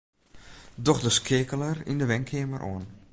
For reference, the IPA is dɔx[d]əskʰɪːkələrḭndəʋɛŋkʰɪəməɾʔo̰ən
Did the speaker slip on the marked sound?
no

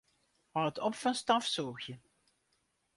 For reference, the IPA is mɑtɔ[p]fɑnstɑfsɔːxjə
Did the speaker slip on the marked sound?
no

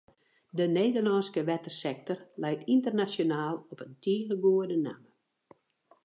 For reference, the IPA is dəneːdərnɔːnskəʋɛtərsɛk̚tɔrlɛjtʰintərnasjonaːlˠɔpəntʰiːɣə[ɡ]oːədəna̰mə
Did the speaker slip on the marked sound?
no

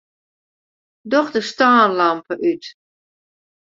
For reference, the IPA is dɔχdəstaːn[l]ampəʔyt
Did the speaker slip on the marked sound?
no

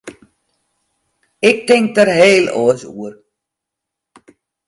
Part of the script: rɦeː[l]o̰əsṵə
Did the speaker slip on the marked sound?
no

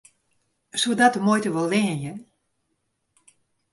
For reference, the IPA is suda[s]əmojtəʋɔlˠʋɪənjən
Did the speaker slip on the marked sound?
yes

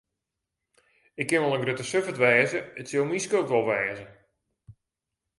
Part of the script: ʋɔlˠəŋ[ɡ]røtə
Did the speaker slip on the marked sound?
no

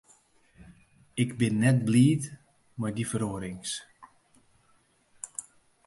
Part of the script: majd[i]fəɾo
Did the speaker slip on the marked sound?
no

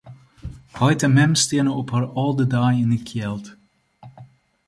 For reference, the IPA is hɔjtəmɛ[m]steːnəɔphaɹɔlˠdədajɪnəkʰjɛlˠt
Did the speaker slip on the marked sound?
no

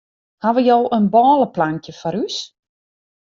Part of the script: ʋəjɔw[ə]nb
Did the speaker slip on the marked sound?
no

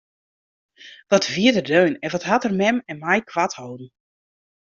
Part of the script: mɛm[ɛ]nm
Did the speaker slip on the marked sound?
no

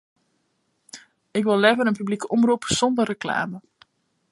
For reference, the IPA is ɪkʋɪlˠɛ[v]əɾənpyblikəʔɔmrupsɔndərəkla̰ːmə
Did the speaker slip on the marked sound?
no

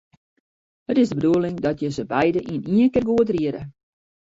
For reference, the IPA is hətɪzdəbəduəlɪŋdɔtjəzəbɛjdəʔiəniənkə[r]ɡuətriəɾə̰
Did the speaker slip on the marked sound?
no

